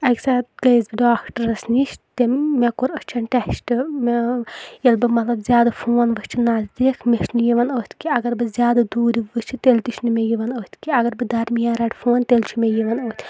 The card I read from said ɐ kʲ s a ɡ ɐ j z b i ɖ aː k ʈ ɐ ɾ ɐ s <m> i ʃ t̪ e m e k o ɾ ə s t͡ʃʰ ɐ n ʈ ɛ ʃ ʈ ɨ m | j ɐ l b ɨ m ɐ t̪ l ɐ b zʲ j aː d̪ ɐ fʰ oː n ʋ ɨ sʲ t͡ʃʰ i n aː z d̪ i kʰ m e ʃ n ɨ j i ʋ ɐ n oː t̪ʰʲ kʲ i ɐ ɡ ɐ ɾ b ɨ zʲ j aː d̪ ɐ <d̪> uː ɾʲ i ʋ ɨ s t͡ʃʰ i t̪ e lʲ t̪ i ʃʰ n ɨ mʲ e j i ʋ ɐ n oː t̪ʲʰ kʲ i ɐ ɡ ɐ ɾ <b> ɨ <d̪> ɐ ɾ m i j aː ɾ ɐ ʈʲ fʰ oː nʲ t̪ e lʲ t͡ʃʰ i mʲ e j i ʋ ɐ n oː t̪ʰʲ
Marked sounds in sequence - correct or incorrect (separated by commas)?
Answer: incorrect, correct, correct, correct